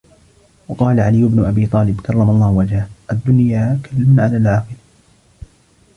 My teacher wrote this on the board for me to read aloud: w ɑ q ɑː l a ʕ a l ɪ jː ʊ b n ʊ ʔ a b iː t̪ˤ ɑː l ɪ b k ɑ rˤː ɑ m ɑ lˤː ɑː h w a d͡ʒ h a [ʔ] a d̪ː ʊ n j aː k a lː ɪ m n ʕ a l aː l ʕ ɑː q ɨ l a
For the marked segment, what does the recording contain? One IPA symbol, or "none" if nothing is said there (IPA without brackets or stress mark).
ʔ